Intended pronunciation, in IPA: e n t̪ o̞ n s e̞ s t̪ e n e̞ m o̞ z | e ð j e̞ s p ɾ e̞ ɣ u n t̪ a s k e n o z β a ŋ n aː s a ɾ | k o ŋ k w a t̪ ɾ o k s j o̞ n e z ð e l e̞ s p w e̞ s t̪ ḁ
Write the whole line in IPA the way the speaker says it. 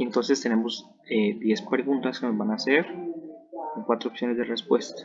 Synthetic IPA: e n t̪ o̞ n s e̞ s t̪ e n e̞ m o̞ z | e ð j e̞ s p ɾ e̞ ɣ u n t̪ a s k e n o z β a n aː s e ɾ | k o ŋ k w a t̪ ɾ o p s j o̞ n e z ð e r e̞ s p w e̞ s t̪ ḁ